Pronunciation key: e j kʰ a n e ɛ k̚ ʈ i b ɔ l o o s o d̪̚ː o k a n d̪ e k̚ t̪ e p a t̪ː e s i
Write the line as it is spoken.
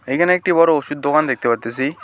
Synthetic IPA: e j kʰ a n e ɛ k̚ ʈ i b ɔ ɾ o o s u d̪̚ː o k a n d̪ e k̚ t̪ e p a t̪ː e s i